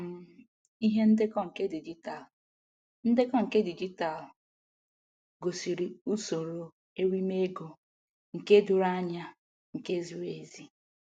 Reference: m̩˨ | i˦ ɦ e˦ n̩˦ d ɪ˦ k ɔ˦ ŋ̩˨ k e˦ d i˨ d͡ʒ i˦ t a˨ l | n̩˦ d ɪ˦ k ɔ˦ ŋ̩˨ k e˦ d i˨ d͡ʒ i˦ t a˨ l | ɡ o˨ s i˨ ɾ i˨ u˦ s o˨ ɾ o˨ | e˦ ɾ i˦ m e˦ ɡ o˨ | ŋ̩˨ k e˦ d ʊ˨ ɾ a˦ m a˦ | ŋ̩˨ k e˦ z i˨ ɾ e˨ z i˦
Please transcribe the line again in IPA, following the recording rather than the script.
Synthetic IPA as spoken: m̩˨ | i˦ ɦ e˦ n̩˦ d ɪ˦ k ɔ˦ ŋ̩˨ k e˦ d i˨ d͡ʒ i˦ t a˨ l | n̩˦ d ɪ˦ k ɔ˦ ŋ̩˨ k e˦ d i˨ d͡ʒ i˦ t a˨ l | ɡ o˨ s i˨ ɾ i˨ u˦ s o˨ ɾ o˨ | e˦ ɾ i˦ m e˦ ɡ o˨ | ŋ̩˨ k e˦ d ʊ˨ ɾ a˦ ɲ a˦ | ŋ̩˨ k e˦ z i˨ ɾ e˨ z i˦